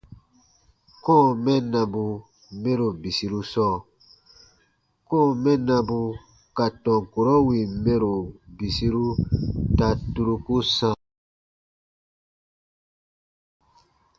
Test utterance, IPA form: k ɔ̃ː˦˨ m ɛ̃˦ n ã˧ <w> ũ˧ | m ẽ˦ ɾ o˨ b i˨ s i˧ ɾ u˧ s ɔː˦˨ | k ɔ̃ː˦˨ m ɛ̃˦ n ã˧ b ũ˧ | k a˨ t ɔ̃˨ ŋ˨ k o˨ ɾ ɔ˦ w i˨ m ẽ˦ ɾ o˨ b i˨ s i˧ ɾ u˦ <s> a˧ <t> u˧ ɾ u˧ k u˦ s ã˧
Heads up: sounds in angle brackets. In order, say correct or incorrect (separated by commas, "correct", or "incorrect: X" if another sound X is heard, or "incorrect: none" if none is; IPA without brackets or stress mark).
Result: incorrect: b, incorrect: t, correct